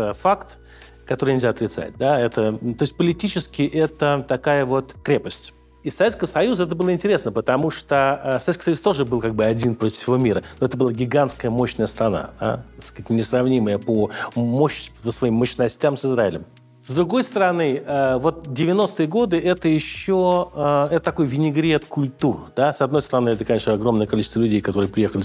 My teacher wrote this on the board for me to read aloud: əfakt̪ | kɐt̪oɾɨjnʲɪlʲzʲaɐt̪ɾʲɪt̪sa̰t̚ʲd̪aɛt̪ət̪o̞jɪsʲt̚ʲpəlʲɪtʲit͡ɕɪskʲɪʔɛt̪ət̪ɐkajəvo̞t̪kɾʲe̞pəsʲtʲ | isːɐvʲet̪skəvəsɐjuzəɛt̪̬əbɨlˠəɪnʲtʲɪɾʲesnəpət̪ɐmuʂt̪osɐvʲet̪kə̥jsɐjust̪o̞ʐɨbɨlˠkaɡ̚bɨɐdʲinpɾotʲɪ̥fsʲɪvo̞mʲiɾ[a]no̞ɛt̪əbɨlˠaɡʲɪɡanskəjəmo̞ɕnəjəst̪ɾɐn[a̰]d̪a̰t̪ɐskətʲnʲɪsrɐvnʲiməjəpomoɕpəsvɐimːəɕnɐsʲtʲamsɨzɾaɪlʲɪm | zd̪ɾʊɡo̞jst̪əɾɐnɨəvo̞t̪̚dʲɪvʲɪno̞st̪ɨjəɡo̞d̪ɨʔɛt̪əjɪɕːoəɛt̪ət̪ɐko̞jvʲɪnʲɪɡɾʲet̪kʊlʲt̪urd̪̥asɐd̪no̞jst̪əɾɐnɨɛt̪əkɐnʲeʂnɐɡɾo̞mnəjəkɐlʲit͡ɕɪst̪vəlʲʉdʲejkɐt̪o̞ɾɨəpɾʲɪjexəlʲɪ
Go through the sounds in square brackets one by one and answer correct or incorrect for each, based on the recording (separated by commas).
incorrect, correct